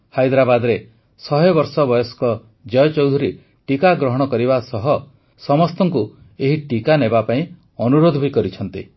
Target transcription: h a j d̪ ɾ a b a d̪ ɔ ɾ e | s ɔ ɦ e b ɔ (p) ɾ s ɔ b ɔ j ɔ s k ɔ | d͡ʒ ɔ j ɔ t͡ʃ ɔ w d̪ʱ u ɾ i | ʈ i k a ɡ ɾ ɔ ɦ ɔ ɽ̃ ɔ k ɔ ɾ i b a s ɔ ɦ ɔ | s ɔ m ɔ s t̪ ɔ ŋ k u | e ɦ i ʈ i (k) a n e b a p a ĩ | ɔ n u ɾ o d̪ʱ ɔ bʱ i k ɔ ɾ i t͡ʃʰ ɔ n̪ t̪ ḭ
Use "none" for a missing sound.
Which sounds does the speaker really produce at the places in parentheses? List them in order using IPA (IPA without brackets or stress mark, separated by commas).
none, k